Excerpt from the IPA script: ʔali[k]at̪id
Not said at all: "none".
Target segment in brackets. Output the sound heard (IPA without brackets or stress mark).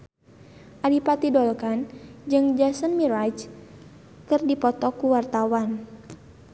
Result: p